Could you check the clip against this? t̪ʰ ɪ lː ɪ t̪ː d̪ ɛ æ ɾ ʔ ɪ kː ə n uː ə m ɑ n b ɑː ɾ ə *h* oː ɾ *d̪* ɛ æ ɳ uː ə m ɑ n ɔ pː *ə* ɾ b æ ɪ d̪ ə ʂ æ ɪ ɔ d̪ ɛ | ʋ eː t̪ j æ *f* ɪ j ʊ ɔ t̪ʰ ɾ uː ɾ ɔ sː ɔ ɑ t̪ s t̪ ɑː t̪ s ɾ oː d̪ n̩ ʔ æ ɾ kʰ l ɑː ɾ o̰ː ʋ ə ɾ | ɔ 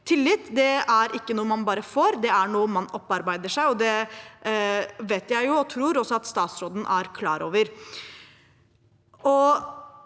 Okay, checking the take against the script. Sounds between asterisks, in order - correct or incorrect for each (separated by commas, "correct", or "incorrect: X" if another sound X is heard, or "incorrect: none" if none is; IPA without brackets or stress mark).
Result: incorrect: f, correct, incorrect: ɑ, incorrect: none